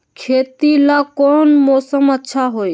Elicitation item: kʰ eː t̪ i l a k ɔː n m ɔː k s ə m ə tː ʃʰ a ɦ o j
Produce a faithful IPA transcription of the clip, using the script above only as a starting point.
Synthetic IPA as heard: kʰ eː t̪ i l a k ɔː n m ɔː s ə m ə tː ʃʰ a ɦ o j

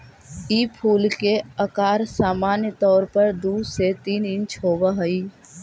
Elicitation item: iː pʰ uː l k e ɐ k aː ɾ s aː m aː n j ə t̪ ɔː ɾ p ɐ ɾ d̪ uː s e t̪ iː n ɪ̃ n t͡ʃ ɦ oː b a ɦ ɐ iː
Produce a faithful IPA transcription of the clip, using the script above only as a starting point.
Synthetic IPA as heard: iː pʰ uː l k e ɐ k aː ɾ s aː m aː n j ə t̪ ɔː ɾ p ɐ ɾ d̪ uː s e t̪ iː n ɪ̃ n t͡ʃ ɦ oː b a ɦ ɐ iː

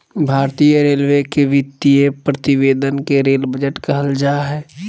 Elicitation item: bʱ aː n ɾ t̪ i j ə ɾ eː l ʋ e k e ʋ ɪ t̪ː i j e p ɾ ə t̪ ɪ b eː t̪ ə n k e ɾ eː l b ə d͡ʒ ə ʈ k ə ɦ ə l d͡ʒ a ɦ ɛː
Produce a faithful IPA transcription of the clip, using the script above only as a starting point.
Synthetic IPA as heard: bʱ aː ɾ t̪ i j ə ɾ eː l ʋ e k e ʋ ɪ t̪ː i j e p ɾ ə t̪ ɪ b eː d̪ ə n k e ɾ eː l b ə d͡ʒ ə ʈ k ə ɦ ə l d͡ʒ a ɦ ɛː

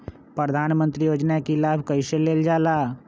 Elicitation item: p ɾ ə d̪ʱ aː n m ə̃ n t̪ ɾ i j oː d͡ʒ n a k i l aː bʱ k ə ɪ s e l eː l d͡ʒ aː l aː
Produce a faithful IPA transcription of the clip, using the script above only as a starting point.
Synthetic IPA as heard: p ɾ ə d̪ʱ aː n m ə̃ n t̪ ɾ i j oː d͡ʒ n a k i l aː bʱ k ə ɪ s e l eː l d͡ʒ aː l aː

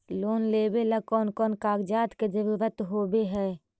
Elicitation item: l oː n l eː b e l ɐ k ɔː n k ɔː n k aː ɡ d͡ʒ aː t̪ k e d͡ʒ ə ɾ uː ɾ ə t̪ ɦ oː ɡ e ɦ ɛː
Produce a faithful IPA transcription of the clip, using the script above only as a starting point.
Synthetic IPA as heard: l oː n l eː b e l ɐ k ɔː n k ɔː n k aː ɡ d͡ʒ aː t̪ k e d͡ʒ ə ɾ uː ɾ ə t̪ ɦ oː b e ɦ ɛː

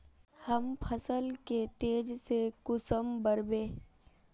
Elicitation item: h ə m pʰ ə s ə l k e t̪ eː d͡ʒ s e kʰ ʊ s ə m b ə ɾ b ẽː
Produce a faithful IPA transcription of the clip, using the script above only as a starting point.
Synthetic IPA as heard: h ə m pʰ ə s ə l k e t̪ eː d͡ʒ s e k ʊ s ə m b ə ɾ b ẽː

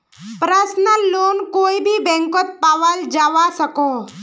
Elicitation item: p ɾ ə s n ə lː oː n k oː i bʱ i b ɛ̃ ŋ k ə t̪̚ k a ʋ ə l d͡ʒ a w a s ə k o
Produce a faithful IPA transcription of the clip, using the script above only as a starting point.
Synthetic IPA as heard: p ɾ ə s n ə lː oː n k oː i bʱ i b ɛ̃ ŋ k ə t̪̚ p a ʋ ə l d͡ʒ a ʋ a s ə k o

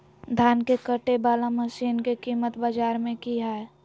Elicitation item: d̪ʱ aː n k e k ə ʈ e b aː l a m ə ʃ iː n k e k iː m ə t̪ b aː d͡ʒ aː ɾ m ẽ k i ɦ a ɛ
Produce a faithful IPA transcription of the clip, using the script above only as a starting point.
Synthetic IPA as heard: d̪ʱ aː n k e k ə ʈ e b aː l a m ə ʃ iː n k e k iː m ə t̪ b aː d͡ʒ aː ɾ m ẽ k i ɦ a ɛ

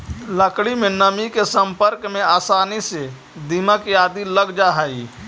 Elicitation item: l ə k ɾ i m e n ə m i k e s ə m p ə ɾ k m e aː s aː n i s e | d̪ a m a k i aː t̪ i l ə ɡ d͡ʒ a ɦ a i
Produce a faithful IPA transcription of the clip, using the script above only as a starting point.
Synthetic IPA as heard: l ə k ɽ i m e n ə m i k e s ə m p ə ɾ k m e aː s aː n i s e | d̪ i m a k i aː d̪ i l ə ɡ d͡ʒ a ɦ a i

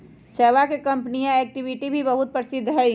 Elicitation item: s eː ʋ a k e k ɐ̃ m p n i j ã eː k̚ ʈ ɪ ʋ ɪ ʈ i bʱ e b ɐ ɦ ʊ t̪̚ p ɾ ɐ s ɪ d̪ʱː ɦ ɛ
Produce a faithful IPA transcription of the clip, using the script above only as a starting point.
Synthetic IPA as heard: s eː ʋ a k e k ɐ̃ m p n i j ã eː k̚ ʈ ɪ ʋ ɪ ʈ i bʱ i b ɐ ɦ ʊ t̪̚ p ɾ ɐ s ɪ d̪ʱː ɦ ɛ

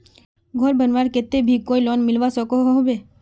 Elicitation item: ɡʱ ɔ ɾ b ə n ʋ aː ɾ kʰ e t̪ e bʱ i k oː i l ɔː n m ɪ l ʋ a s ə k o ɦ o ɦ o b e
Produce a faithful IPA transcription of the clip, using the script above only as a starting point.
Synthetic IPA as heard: ɡʱ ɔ ɾ b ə n ʋ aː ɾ k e t̪ e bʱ i k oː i l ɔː n m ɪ l ʋ a s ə k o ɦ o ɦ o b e

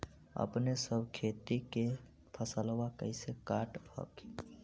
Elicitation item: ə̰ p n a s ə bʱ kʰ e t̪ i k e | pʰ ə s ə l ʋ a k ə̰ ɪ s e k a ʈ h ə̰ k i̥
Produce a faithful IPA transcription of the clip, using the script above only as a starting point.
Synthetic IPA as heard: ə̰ p n e s ə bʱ kʰ e t̪ i k e | pʰ ə s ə l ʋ a k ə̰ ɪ s e k a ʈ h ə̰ k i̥

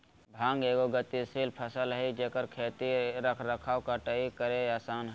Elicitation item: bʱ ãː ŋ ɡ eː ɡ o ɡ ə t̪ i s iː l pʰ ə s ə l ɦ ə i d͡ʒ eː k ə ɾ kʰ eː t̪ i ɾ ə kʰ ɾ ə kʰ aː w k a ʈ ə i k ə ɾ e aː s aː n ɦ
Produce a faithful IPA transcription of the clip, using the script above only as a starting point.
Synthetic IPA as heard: bʱ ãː ŋ ɡ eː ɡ o ɡ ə t̪ i s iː l pʰ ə s ə l ɦ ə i d͡ʒ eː k ə ɾ kʰ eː t̪ i ɾ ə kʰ ɾ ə kʰ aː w k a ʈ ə i k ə ɾ e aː s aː n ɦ

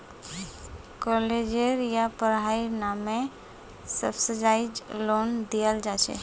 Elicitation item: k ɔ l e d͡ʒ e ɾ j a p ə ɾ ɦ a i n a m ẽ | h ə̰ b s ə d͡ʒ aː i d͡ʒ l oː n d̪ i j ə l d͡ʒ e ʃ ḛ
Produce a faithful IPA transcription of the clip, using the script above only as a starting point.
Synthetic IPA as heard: k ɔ l e d͡ʒ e ɾ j a p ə ɾ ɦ a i n a m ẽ | s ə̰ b s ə d͡ʒ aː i d͡ʒ l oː n d̪ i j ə l d͡ʒ a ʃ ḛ

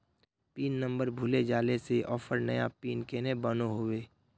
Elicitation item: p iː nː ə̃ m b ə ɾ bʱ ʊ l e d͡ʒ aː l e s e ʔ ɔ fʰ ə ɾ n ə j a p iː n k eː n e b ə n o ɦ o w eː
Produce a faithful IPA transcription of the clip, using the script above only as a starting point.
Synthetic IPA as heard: p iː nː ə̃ m b ə ɾ bʱ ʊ l e d͡ʒ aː l e s e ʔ ɔː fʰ ə ɾ n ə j a p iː n k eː n e b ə n o ɦ o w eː

